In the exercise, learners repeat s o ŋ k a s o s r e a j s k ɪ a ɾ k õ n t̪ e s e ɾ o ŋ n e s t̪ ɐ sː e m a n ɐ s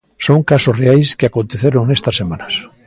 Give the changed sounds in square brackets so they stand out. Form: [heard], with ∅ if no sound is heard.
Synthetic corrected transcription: s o ŋ k a s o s r e a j s k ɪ a [∅] k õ n t̪ e [θ] e ɾ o ŋ n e s t̪ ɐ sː e m a n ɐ s